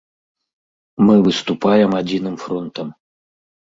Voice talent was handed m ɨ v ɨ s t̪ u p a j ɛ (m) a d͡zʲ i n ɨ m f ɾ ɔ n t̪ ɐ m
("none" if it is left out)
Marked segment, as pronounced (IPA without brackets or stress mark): m